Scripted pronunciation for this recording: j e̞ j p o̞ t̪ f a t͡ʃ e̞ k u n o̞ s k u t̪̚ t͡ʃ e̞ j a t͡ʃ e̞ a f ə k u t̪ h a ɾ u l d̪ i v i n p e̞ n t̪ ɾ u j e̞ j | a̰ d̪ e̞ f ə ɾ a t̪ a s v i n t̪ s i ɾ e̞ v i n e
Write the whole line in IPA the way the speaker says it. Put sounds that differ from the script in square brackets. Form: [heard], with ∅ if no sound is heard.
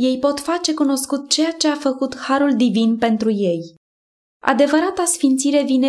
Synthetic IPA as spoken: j e̞ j p o̞ t̪ f a t͡ʃ e̞ k u n o̞ s k u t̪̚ t͡ʃ e̞ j a t͡ʃ e̞ a f ə k u t̪ h a ɾ u l d̪ i v i n p e̞ n t̪ ɾ u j e̞ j | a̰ d̪ e̞ [v] ə ɾ a t̪ a s [f] i n t̪ s i ɾ e̞ v i n e